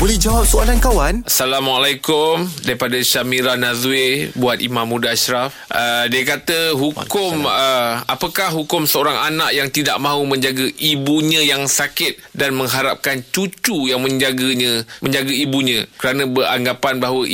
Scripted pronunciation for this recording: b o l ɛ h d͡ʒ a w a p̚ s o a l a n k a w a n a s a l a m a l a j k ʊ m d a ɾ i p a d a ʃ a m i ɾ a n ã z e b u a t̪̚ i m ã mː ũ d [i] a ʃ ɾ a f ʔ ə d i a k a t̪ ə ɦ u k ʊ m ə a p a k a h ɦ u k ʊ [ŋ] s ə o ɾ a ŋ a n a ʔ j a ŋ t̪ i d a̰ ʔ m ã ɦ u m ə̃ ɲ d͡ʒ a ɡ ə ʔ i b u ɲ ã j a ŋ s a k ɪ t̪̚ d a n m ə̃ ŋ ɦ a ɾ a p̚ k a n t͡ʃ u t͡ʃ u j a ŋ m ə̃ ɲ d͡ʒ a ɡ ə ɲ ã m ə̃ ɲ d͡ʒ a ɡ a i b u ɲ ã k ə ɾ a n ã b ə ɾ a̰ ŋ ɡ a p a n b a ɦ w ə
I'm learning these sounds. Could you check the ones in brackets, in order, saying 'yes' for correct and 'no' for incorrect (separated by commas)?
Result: no, no